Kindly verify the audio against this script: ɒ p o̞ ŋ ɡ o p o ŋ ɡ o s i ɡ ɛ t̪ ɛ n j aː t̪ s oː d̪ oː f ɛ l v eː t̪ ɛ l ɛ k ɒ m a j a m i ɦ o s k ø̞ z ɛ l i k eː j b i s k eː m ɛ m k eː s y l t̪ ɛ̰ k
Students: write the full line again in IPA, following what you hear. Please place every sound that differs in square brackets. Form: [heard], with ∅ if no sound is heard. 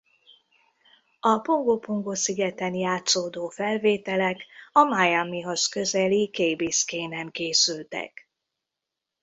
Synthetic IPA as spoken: ɒ p o̞ ŋ ɡ o p o ŋ ɡ o s i ɡ ɛ t̪ ɛ n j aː t̪ s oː d̪ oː f ɛ l v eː t̪ ɛ l ɛ k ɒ m a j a m i ɦ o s k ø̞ z ɛ l i k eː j b i s k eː [n] ɛ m k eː s y l t̪ ɛ̰ k